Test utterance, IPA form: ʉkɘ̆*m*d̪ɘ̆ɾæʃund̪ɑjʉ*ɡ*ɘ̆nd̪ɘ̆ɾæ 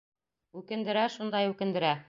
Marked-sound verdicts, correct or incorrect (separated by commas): incorrect, incorrect